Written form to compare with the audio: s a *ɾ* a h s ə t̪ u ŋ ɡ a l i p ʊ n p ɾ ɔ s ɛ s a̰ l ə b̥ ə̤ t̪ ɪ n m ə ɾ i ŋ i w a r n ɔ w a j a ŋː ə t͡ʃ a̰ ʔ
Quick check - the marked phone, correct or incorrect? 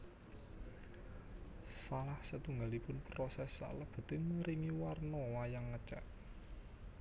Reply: incorrect